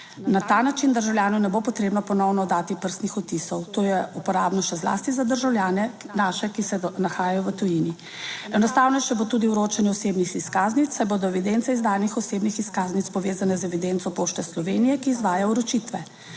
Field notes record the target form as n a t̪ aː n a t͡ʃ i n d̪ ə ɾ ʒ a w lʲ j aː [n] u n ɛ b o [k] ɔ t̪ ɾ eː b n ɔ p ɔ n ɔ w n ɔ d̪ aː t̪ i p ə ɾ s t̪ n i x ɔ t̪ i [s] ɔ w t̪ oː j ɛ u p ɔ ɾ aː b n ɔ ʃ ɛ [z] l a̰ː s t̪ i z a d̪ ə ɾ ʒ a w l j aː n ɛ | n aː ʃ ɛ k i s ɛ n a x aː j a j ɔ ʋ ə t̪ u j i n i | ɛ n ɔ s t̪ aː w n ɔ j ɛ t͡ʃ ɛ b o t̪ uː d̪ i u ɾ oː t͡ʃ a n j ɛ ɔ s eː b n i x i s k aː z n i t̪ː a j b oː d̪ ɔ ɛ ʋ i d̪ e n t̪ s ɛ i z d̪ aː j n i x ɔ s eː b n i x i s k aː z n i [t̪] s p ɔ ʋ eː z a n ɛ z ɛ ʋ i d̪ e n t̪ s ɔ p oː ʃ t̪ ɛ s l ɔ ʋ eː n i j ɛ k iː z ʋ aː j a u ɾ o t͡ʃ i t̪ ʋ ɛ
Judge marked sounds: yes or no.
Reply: yes, no, yes, yes, yes

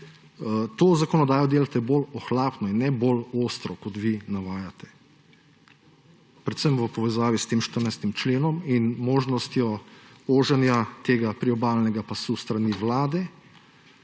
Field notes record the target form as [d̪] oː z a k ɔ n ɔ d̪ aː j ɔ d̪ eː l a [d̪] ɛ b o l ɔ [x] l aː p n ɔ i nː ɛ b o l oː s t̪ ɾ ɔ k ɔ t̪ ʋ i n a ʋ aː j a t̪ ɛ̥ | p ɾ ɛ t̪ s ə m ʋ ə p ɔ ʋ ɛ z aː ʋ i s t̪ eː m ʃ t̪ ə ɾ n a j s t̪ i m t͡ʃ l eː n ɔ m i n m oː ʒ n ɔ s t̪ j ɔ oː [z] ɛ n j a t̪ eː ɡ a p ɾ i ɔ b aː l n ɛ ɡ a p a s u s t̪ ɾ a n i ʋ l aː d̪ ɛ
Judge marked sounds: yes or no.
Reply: no, no, yes, no

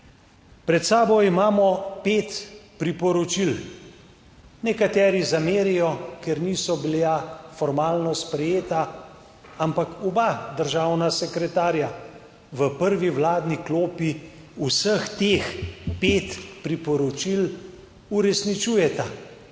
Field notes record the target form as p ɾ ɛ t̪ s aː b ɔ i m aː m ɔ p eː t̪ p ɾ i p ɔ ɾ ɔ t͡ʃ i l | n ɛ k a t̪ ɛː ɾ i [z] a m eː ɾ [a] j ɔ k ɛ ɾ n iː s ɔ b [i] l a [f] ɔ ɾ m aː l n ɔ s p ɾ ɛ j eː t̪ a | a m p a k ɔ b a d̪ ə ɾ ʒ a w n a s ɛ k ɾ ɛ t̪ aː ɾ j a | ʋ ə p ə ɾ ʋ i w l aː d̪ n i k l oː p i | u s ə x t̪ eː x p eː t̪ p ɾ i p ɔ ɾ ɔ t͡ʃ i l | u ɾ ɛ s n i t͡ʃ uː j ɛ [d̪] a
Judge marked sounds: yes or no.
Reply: yes, no, yes, yes, no

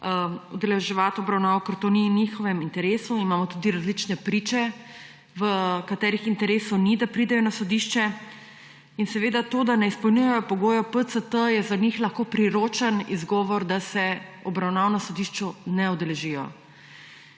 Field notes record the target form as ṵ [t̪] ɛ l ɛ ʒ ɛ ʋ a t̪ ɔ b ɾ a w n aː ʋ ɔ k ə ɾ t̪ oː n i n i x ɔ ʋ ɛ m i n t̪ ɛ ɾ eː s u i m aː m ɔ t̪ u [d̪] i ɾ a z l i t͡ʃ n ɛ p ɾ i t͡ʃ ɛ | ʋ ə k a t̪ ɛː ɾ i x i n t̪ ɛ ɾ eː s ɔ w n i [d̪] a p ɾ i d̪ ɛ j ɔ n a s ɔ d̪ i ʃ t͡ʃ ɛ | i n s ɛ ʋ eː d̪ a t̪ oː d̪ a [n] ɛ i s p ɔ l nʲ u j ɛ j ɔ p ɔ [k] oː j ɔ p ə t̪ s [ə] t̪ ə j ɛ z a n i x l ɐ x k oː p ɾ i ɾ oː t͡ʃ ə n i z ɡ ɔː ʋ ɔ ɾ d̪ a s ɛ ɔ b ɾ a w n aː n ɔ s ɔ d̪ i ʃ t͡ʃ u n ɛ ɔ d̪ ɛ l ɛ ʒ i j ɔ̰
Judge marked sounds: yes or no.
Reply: no, yes, yes, yes, no, yes

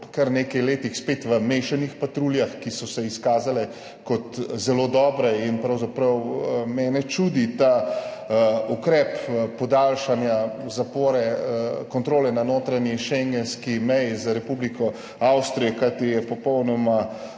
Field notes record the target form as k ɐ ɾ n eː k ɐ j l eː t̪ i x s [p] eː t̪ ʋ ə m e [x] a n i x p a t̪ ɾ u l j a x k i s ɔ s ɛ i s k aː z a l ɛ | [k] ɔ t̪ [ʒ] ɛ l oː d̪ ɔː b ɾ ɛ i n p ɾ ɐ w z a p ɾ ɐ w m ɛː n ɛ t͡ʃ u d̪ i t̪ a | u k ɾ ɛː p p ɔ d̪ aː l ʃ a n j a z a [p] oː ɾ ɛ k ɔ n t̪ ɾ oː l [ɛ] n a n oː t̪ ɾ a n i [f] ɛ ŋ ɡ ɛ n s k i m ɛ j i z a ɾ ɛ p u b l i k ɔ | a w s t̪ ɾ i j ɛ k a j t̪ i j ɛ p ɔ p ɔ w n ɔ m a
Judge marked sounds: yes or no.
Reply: yes, no, yes, no, yes, yes, no

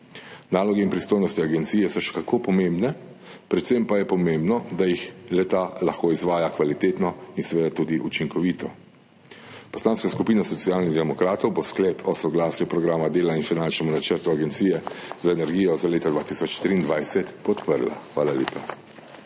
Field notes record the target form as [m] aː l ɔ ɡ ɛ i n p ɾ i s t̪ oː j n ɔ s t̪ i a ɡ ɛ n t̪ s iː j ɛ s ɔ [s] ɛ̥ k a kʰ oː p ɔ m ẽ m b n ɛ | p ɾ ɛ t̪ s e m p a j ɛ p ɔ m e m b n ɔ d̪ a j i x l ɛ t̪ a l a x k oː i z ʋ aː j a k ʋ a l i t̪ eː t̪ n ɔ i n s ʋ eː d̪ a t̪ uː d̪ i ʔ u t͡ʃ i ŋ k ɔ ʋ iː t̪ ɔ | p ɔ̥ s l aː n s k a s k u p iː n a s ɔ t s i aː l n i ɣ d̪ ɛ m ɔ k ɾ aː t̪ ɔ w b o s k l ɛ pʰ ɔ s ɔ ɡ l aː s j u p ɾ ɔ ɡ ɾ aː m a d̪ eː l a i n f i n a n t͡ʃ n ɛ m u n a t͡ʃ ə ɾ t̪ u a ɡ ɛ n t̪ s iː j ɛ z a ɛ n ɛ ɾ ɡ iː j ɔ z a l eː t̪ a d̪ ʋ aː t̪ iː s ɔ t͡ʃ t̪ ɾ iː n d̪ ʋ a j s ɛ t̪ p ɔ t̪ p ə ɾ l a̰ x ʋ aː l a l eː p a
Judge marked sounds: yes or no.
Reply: no, no

